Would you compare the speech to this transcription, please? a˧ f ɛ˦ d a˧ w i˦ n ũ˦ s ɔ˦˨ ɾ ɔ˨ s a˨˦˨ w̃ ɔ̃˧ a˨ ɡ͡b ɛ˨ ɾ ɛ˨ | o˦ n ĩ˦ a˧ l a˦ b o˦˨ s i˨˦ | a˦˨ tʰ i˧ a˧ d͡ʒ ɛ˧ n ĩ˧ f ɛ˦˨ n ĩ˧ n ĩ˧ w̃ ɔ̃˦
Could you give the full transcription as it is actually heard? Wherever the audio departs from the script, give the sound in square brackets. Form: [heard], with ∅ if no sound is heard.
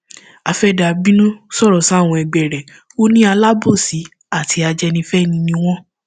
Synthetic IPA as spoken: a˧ f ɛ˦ d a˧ [b] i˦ n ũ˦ s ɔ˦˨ ɾ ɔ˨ s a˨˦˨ w̃ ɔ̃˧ [ɛ˨] ɡ͡b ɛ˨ ɾ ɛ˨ | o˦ n ĩ˦ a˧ l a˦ b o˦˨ s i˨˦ | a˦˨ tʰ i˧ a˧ d͡ʒ ɛ˧ n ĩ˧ f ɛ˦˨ n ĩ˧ n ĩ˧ w̃ ɔ̃˦